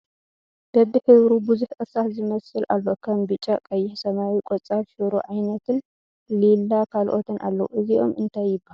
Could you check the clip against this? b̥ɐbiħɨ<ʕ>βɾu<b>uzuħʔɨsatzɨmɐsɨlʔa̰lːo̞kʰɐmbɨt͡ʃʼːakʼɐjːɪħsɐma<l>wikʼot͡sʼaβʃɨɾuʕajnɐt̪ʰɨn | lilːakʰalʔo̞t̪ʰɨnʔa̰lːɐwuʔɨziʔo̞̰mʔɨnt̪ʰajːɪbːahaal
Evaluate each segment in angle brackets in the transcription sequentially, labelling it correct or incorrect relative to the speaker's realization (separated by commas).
incorrect, correct, incorrect